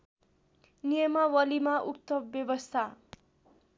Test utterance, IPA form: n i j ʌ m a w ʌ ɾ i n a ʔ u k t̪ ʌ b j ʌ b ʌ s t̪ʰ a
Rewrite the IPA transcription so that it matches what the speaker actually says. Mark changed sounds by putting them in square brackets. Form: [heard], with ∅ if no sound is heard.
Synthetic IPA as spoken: n i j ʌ m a w ʌ [l] i [m] a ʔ u k t̪ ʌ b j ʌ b ʌ s t̪ʰ a

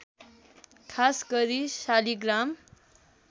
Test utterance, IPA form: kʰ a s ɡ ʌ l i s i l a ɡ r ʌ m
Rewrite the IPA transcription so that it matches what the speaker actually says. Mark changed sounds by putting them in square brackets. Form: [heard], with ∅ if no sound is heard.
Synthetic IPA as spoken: kʰ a s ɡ ʌ [ɾ] i s [a] l [i] ɡ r [a] m

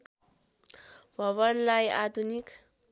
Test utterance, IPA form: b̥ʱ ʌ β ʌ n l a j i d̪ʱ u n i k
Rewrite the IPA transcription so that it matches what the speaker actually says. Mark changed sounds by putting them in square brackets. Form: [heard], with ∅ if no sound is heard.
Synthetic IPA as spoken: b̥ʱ ʌ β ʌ n l a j [a] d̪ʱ u n i k

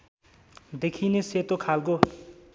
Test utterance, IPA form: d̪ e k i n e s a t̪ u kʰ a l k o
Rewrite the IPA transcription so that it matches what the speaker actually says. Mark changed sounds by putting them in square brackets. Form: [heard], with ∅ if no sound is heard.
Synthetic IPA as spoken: d̪ e [kʰ] i n e s [e] t̪ [o] kʰ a l k o

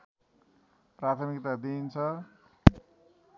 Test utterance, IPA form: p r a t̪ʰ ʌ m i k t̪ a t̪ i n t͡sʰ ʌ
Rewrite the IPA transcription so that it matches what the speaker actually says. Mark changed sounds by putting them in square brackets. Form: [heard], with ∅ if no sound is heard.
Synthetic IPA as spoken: p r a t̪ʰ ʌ m i k t̪ a [d̪] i n t͡sʰ ʌ

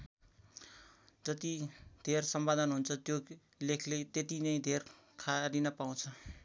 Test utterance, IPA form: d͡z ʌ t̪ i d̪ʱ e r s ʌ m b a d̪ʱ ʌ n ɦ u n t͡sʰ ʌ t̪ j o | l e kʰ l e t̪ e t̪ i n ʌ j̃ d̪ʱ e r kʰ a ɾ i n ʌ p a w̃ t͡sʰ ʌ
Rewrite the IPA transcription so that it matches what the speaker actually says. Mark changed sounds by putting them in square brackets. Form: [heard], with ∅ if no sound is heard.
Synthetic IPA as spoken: d͡z ʌ t̪ i d̪ʱ e r s ʌ m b a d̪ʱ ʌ n ɦ u n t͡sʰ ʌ t̪ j o | l e kʰ l e t̪ e t̪ i n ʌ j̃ d̪ʱ e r kʰ a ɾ i n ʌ p a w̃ t͡sʰ ʌ

